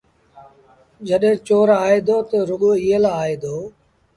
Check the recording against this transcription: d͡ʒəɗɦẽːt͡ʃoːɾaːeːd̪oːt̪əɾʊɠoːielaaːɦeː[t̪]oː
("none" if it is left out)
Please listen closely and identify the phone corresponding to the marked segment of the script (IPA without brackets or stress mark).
d̪